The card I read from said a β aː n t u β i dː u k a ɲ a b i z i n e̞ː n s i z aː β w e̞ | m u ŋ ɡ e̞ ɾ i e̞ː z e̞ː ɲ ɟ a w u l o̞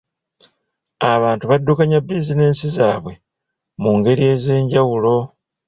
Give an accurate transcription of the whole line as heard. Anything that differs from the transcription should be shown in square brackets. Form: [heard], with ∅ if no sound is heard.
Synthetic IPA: a β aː n t u β [a] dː u k a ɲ a b i z i n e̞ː n s i z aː β w e̞ | m u ŋ ɡ e̞ ɾ i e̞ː z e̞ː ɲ ɟ a w u l o̞